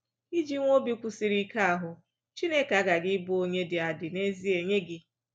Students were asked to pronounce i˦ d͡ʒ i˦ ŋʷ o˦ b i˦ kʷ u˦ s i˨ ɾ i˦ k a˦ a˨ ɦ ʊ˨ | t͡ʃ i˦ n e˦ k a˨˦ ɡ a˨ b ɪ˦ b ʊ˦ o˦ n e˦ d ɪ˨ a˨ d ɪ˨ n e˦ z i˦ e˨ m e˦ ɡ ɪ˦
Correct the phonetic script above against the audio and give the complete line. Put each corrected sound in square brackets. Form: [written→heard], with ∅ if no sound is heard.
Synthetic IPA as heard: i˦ d͡ʒ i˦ ŋʷ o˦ b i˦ kʷ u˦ s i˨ ɾ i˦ k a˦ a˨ ɦ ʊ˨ | t͡ʃ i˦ n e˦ k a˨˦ ɡ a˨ [b→ɡ] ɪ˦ b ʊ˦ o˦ [n→ɲ] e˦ d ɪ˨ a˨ d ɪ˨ n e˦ z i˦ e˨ [m→ɲ] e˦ ɡ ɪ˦